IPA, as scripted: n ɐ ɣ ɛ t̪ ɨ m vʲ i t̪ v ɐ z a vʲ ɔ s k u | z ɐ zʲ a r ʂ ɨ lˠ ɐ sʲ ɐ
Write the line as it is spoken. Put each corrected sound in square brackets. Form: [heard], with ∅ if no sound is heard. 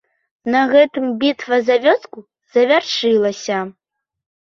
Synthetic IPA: n ɐ ɣ ɛ t̪ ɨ m [bʲ] i t̪ v ɐ z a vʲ ɔ s k u | z ɐ [vʲ] a r ʂ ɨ lˠ ɐ sʲ ɐ